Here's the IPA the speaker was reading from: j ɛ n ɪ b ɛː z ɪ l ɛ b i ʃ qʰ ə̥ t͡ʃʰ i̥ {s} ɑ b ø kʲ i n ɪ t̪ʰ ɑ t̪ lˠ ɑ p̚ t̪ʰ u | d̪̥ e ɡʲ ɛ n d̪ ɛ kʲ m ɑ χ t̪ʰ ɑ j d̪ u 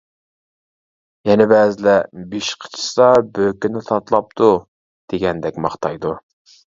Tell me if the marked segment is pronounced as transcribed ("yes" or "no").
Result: yes